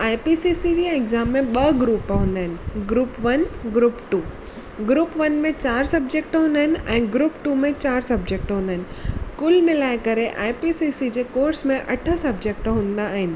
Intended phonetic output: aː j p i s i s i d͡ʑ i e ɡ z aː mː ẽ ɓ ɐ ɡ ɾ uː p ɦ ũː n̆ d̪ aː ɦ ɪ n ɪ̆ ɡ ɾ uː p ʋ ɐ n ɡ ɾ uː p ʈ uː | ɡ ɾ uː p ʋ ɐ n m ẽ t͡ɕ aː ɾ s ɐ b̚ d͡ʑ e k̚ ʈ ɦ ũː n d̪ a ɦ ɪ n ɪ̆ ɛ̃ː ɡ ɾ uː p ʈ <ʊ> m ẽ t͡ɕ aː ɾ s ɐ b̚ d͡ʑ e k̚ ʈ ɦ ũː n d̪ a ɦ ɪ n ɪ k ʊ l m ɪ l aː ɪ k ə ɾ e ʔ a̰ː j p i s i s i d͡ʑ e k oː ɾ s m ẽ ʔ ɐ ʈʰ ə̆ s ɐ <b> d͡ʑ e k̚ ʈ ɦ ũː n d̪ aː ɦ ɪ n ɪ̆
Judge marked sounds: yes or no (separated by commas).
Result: no, yes